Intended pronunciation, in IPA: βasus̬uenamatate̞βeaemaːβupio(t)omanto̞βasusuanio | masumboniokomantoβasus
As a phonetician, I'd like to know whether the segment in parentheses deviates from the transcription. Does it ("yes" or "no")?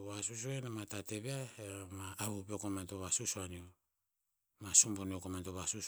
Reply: yes